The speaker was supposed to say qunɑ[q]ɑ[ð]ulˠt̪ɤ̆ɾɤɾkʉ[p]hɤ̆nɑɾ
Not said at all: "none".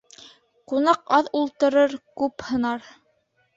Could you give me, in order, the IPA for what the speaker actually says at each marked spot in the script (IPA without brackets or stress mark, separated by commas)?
q, ð, p